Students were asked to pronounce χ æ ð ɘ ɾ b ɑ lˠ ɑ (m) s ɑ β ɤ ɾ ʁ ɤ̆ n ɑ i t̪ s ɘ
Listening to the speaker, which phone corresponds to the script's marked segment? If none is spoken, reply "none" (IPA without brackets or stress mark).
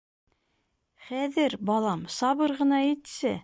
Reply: m